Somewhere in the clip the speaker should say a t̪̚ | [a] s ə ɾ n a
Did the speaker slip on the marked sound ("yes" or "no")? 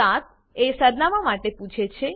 yes